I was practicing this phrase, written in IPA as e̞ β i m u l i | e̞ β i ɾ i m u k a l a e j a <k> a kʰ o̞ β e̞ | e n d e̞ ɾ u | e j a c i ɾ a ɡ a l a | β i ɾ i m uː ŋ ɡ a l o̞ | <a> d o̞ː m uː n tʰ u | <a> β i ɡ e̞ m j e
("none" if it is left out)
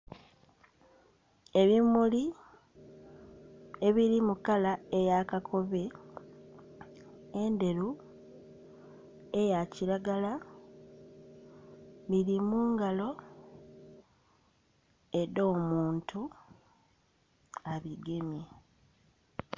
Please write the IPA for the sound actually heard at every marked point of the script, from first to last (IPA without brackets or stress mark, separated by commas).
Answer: k, e, a